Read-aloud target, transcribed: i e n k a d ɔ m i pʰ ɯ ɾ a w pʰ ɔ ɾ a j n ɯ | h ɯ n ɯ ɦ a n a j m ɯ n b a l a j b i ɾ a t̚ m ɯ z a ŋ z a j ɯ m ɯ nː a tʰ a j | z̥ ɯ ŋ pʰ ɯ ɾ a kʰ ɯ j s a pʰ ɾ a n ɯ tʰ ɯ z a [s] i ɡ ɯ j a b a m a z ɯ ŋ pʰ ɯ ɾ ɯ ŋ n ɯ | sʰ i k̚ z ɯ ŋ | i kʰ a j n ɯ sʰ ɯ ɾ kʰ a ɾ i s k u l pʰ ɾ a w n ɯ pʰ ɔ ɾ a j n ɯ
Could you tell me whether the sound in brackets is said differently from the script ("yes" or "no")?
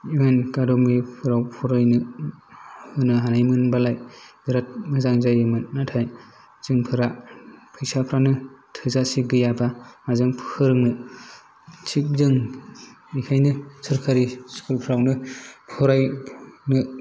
no